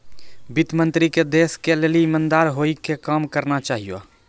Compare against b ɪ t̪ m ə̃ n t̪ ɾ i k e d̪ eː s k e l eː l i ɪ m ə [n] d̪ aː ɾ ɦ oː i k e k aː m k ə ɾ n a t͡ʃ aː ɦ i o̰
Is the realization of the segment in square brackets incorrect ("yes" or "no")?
no